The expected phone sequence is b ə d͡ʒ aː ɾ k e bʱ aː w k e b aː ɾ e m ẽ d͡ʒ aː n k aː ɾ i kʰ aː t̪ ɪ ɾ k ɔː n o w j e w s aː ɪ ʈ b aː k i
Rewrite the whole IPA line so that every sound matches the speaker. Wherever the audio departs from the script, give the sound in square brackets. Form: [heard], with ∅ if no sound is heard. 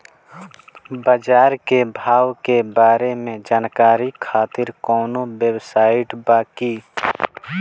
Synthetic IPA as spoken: b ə d͡ʒ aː ɾ k e bʱ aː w k e b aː ɾ e m ẽ d͡ʒ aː n k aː ɾ i kʰ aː t̪ ɪ ɾ k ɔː n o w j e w s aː ɪ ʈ b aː k i